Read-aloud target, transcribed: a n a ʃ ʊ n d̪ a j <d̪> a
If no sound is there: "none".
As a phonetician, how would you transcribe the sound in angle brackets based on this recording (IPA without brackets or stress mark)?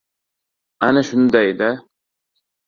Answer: d̪